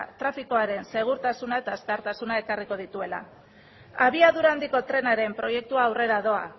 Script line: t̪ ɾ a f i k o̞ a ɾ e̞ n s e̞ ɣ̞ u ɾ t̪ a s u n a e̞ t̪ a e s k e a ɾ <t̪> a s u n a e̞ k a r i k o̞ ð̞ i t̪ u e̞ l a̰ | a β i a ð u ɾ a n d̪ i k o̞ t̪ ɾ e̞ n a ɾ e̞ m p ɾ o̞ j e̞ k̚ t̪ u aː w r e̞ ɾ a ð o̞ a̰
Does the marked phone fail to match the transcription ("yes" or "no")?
no